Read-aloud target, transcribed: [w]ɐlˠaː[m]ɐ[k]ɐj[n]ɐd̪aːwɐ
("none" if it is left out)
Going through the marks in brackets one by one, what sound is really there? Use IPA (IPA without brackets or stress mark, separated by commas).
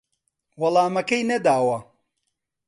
w, m, k, n